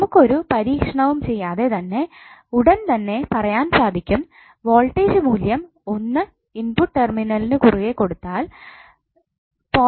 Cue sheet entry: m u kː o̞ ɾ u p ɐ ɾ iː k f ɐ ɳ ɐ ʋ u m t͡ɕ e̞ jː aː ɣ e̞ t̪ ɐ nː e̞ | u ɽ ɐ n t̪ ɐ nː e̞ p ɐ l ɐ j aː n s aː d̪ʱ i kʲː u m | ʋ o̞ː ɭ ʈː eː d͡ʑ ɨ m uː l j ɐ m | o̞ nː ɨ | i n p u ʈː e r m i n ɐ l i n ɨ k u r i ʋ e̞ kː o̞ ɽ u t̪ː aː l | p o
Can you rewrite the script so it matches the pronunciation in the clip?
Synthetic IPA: m u kː o̞ ɾ u p ɐ ɾ iː k ʂ ɐ ɳ ɐ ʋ u m t͡ɕ e̞ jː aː ð e̞ t̪ ɐ nː e̞ | u ɽ ɐ n t̪ ɐ nː e̞ p ɐ r ɐ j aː n s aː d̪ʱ i kʲː u m | ʋ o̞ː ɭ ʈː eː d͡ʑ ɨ m uː l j ɐ m | o̞ nː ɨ | i n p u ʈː e r m i n ɐ l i n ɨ k u r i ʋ e̞ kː o̞ ɽ u t̪ː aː l | p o